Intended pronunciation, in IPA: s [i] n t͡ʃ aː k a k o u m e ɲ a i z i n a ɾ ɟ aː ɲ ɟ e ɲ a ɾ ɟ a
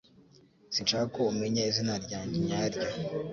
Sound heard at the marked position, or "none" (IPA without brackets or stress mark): i